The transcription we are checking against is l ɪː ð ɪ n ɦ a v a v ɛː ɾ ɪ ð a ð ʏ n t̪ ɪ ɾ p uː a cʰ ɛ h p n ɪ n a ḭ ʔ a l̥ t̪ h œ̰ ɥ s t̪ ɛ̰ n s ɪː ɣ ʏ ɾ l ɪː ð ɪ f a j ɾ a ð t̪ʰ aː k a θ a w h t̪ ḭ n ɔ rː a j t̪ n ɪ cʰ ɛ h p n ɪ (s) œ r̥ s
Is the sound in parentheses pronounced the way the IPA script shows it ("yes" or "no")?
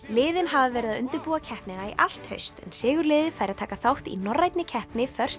no